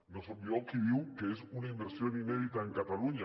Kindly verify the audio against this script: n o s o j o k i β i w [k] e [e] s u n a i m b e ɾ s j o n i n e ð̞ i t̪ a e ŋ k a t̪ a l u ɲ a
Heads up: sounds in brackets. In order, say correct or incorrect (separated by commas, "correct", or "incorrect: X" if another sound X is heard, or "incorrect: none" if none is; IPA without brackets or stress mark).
correct, correct